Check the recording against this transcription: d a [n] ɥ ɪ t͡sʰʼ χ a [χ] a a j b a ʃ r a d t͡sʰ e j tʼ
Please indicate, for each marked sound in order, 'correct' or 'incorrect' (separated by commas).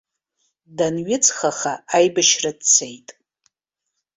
correct, correct